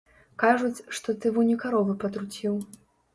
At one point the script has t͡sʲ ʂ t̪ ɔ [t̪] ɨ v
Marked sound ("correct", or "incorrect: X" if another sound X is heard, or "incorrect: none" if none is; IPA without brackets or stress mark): correct